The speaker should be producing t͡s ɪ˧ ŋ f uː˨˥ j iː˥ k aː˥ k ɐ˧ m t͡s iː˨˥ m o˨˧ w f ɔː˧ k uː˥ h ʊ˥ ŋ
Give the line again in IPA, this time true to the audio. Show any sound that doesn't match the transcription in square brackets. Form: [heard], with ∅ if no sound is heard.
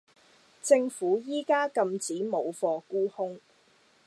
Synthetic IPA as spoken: t͡s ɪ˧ ŋ f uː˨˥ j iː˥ k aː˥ k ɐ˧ m t͡s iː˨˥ m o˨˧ w f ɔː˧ k uː˥ h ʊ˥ ŋ